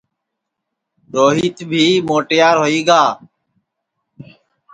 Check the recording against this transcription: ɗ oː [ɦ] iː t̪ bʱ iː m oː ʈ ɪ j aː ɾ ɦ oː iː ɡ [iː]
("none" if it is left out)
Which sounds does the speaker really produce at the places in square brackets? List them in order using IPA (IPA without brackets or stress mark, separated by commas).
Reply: ɦ, aː